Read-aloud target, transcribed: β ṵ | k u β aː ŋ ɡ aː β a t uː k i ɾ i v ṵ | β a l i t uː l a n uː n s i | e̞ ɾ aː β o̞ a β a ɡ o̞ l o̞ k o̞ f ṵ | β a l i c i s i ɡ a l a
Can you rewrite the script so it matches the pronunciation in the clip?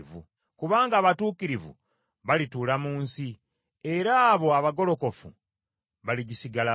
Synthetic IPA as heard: v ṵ | k u β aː ŋ ɡ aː β a t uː k i ɾ i v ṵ | β a l i t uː l a m uː n s i | e̞ ɾ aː β o̞ a β a ɡ o̞ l o̞ k o̞ f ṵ | β a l i ɟ i s i ɡ a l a